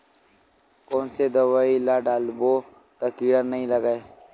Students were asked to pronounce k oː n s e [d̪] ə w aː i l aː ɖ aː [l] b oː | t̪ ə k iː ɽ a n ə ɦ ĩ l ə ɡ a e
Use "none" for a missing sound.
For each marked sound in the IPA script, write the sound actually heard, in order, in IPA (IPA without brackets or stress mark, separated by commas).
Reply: d̪, l